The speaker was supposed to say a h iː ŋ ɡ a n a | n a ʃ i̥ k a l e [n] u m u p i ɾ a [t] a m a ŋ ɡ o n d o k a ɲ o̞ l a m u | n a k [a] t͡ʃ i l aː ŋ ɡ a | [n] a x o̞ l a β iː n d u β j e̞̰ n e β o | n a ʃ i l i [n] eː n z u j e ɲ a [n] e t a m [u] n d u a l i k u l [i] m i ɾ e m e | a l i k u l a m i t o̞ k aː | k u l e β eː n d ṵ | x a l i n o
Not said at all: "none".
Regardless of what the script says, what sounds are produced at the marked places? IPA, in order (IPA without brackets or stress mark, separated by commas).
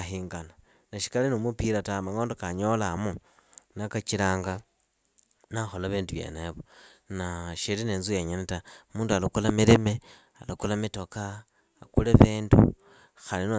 n, t, a, n, n, n, uː, a